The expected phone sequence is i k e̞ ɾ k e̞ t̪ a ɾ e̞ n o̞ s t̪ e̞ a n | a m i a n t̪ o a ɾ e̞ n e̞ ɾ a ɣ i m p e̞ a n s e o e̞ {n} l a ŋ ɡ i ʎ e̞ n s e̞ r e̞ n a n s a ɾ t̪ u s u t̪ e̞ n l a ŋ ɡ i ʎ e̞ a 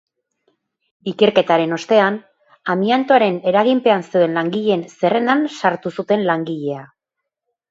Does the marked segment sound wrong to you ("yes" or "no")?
no